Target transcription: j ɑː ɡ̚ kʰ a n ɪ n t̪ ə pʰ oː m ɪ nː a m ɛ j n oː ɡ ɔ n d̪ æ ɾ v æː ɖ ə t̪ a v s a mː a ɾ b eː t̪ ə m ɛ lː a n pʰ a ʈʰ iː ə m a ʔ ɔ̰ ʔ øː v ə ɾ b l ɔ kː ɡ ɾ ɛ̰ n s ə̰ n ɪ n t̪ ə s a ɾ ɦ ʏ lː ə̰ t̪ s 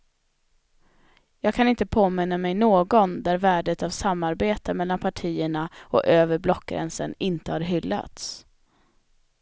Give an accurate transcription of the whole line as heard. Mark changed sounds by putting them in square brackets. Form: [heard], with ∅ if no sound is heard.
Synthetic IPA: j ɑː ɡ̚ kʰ a n ɪ n t̪ ə pʰ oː m ɪ nː a m ɛ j n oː ɡ ɔ n d̪ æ ɾ v æː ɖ ə t̪ a v s a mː a ɾ b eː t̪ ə m ɛ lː a n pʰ a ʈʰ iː ə [ɳ] a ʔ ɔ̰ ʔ øː v ə ɾ b l ɔ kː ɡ ɾ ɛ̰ n s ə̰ n ɪ n t̪ ə [h] a ɾ ɦ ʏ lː [a̰] t̪ s

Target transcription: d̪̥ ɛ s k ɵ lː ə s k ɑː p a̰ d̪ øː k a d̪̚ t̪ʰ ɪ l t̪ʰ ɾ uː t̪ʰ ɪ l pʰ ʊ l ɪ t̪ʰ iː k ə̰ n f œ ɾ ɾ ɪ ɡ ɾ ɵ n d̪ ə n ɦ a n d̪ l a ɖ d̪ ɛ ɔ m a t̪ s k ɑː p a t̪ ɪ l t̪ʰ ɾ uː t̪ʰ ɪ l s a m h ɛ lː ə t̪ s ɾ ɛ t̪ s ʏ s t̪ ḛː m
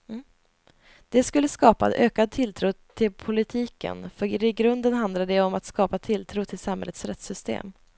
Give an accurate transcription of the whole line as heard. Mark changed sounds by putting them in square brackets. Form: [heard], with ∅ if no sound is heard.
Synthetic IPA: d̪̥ ɛ s k ɵ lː ə s k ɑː p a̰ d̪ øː k a d̪̚ t̪ʰ ɪ l t̪ʰ ɾ uː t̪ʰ ɪ l pʰ ʊ l ɪ t̪ʰ iː k ə̰ n f œ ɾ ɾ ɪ ɡ ɾ ɵ n d̪ ə n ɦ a n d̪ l a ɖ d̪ ɛ ɔ m a t̪ s k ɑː p a [t̪ʰ] ɪ l t̪ʰ ɾ uː t̪ʰ ɪ l s a m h ɛ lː ə t̪ s ɾ ɛ t̪ s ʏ s t̪ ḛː m

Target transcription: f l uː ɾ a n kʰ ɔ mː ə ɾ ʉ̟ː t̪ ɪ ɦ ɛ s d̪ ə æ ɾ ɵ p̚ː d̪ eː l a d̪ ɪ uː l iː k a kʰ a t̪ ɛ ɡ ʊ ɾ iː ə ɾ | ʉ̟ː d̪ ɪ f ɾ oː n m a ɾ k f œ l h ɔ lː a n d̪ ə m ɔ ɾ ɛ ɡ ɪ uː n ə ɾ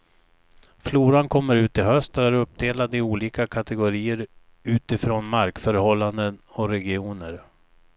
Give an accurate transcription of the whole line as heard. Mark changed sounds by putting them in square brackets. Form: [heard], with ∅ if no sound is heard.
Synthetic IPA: f l uː ɾ a n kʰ ɔ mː ə ɾ ʉ̟ː t̪ ɪ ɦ [œ] s [t̪] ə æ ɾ ɵ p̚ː d̪ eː l a d̪ ɪ uː l iː k a kʰ a t̪ ɛ ɡ ʊ ɾ iː ə ɾ | ʉ̟ː [t̪] ɪ f ɾ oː n m a ɾ k f œ [ɾ] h ɔ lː a n d̪ ə [n] ɔ ɾ ɛ ɡ ɪ uː n ə ɾ

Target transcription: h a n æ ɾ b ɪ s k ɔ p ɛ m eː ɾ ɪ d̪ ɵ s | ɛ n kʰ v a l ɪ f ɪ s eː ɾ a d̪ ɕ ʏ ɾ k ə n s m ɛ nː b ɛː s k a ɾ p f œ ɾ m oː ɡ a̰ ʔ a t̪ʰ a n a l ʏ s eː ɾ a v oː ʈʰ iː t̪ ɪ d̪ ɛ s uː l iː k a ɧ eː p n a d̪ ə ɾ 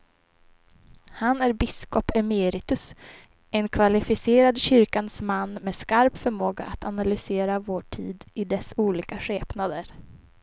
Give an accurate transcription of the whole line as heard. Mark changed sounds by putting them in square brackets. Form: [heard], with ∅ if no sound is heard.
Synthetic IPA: h a n æ ɾ b ɪ s k ɔ p ɛ m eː ɾ ɪ [t̪] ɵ s | ɛ n kʰ v a l ɪ f ɪ s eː ɾ a d̪ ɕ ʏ ɾ k [a] n s m [a] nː [m] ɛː s k a ɾ p f œ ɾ m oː ɡ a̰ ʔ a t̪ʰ a n a l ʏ s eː ɾ a v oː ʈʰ iː [d̪] ɪ d̪ ɛ s uː l iː k a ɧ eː p n a d̪ ə ɾ

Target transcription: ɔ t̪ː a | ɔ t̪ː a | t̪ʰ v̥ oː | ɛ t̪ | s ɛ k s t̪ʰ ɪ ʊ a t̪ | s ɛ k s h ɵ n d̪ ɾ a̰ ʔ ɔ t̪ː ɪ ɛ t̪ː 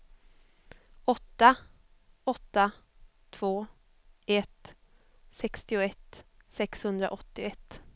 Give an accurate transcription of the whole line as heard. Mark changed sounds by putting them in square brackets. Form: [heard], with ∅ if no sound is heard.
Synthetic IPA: ɔ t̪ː a | ɔ t̪ː a | t̪ʰ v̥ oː | ɛ t̪ | s ɛ k s [t̪] ɪ ʊ [ɛ] t̪ | s ɛ k s h ɵ n d̪ ɾ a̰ ʔ ɔ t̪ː ɪ ɛ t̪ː

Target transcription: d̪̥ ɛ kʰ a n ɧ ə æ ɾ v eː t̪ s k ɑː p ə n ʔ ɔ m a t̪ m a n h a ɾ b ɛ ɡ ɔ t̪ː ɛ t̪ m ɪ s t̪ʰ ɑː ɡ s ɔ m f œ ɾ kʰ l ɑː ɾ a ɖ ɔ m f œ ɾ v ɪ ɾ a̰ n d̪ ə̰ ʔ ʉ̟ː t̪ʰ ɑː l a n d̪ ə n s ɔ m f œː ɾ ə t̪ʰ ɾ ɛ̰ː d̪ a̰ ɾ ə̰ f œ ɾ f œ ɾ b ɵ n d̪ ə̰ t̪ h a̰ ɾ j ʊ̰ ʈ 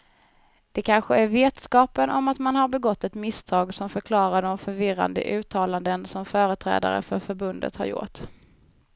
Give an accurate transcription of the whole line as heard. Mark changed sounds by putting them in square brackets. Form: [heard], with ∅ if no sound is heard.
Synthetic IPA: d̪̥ ɛ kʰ a n ɧ ə æ ɾ v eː t̪ s k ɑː p ə n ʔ ɔ m a t̪ m a n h a ɾ b ɛ ɡ ɔ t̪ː ɛ t̪ m ɪ s t̪ʰ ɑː ɡ s ɔ m f œ ɾ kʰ l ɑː ɾ a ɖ ɔ m f œ ɾ v ɪ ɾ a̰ n d̪ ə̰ ʔ ʉ̟ː t̪ʰ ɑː l a n d̪ ə n s ɔ m f œː ɾ ə t̪ʰ ɾ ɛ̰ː d̪ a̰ ɾ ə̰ f œ ɾ f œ ɾ b ɵ n d̪ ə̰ t̪ h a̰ ɾ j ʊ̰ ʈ

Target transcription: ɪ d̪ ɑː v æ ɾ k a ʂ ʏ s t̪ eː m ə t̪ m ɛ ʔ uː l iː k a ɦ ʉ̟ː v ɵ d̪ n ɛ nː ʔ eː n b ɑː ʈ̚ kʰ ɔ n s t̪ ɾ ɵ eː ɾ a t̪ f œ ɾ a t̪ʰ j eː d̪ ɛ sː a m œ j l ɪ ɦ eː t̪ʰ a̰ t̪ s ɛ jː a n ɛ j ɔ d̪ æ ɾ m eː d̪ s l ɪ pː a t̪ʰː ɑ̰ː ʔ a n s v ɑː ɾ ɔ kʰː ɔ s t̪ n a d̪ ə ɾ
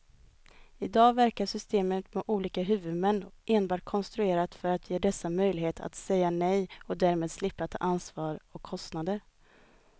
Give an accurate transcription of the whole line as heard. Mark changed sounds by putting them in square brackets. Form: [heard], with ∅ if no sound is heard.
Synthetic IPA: ɪ d̪ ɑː v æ ɾ k a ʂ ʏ s t̪ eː m ə t̪ m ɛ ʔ uː l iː k a ɦ ʉ̟ː v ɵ d̪ [m] ɛ nː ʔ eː n b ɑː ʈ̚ kʰ ɔ n s t̪ ɾ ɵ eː ɾ a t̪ f œ ɾ a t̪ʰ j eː d̪ ɛ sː a m œ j l ɪ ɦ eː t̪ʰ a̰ t̪ s ɛ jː a n ɛ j ɔ d̪ æ ɾ m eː d̪ s l ɪ pː a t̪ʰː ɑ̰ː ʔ a n s v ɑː ɾ ɔ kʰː ɔ s t̪ n a d̪ ə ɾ

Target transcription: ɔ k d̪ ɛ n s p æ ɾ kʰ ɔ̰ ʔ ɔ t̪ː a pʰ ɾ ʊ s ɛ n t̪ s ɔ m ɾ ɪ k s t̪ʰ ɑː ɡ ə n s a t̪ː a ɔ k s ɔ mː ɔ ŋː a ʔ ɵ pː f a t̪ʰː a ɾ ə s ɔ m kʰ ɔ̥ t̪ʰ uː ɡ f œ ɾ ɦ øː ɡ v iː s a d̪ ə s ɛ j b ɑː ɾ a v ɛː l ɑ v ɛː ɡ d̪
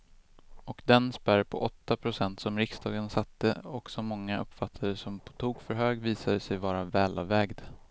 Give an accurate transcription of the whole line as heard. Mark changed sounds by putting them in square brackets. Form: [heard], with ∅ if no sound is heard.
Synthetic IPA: ɔ k d̪ ɛ n s p æ ɾ [pʰ] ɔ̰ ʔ ɔ t̪ː a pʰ ɾ ʊ s ɛ n t̪ s ɔ m ɾ ɪ k s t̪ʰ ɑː ɡ ə n s a t̪ː [ə] ɔ k s ɔ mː ɔ ŋː a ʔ ɵ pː f a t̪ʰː a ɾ ə s ɔ m [pʰ] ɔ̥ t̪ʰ uː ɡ f œ ɾ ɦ øː ɡ v iː s a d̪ ə s ɛ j [v] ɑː ɾ a v ɛː l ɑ v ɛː ɡ d̪

